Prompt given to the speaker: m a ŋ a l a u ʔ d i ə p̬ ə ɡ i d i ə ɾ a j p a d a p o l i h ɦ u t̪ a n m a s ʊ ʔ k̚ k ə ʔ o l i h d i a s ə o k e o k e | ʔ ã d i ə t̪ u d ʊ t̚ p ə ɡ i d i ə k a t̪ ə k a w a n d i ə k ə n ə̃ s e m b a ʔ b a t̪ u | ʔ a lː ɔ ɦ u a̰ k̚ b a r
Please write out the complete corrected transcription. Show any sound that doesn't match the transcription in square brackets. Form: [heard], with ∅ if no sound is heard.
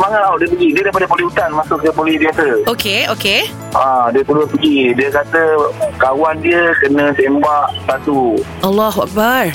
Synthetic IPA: m a ŋ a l a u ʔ d i ə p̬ ə ɡ i d i ə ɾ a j p a d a p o l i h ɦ u t̪ a n m a s ʊ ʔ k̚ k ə [p] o l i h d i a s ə o k e o k e | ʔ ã d i ə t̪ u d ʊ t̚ p ə ɡ i d i ə k a t̪ ə k a w a n d i ə k ə n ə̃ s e m b a ʔ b a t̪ u | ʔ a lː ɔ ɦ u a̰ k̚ b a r